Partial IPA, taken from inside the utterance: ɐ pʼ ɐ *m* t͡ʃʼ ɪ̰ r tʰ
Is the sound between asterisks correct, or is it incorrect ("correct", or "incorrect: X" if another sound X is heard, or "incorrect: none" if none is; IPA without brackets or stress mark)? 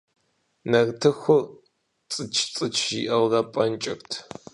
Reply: incorrect: n